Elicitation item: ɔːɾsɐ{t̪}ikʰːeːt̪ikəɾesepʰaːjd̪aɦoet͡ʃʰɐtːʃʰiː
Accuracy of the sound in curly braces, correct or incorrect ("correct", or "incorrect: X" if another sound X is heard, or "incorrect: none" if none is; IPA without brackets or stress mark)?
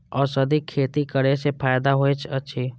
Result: incorrect: d̪